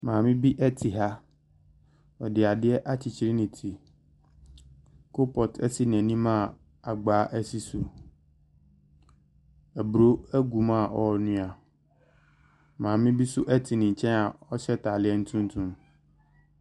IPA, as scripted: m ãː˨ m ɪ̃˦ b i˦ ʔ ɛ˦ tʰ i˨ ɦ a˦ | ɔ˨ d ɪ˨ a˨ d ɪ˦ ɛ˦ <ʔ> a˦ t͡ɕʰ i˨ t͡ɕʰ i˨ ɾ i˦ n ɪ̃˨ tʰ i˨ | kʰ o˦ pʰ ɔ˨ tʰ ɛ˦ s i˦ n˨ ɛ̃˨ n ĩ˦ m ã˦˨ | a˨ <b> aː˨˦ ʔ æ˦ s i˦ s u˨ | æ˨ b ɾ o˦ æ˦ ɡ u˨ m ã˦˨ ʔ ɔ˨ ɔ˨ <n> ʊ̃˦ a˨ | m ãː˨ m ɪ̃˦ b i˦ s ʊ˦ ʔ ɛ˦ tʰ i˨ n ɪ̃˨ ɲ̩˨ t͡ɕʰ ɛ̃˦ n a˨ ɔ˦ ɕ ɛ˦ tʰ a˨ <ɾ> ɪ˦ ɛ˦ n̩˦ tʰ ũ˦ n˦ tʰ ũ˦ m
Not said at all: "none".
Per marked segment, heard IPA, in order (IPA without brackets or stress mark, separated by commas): ʔ, ɡ͡b, n, l